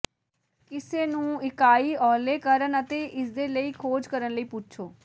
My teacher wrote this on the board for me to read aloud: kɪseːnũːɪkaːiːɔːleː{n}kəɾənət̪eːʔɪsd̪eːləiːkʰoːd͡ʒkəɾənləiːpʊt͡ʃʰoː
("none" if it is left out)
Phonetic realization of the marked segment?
none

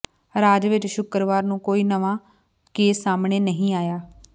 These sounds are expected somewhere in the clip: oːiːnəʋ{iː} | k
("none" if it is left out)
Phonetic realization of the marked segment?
aː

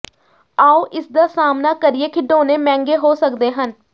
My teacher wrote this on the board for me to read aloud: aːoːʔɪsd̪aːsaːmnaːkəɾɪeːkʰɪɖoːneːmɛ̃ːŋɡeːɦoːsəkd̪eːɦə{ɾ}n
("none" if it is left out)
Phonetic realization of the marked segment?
none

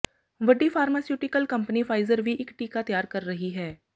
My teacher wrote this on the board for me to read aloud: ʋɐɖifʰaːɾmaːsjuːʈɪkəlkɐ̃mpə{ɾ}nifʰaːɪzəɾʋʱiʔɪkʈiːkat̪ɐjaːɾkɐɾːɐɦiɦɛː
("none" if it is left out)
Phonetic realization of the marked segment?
none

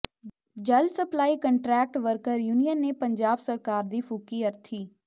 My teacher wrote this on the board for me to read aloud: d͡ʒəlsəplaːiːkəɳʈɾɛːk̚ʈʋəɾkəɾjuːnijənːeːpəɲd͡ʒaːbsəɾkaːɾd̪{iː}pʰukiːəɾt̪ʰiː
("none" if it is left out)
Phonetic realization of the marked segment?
iː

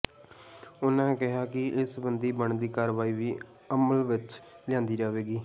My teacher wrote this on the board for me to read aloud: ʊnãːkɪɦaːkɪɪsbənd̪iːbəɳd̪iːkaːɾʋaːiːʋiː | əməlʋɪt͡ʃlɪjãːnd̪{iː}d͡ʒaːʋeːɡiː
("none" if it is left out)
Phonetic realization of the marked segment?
iː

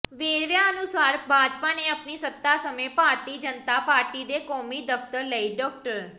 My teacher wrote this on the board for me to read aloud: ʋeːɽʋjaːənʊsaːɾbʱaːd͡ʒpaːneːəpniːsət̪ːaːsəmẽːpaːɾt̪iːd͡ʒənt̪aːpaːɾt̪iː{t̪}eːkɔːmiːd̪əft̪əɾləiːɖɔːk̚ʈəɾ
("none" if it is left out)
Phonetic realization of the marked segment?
d̪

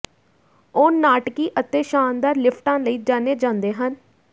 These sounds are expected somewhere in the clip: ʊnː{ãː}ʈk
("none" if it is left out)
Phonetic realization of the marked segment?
aː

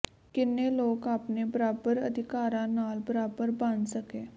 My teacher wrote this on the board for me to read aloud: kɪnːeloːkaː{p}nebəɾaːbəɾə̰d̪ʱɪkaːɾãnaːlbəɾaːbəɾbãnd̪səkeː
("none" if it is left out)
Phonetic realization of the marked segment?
p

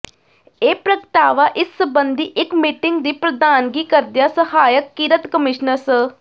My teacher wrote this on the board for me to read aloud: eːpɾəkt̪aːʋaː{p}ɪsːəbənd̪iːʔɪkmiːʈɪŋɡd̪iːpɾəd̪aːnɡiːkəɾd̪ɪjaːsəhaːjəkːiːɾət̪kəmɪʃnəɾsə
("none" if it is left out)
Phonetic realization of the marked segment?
ʔ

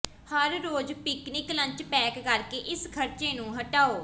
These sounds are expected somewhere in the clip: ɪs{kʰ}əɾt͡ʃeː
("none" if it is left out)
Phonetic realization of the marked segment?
kʰ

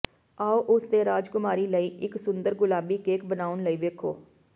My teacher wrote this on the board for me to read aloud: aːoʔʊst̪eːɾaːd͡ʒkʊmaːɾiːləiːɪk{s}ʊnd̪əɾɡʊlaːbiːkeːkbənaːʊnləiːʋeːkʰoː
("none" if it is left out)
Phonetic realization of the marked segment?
s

